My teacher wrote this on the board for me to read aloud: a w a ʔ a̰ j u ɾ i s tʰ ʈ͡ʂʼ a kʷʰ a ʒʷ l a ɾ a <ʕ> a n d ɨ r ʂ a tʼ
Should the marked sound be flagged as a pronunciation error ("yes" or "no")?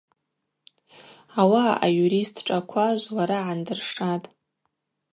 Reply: no